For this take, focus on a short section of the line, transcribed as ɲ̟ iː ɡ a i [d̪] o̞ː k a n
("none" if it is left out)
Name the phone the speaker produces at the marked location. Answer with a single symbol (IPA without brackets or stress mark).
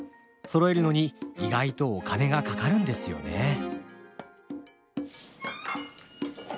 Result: t̪